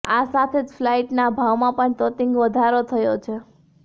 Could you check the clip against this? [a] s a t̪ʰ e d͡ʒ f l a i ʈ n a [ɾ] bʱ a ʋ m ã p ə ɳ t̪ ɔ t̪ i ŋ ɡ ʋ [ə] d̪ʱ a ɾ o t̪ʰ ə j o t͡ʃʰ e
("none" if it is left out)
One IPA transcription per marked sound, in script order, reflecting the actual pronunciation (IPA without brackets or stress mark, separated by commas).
a, none, ə